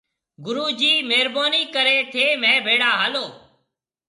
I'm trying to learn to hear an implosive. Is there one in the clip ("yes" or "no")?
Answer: no